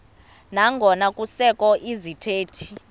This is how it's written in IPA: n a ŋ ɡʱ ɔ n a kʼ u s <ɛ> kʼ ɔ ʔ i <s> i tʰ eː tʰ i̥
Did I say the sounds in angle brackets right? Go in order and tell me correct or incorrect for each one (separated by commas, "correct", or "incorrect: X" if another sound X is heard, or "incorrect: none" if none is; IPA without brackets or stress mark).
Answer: correct, incorrect: z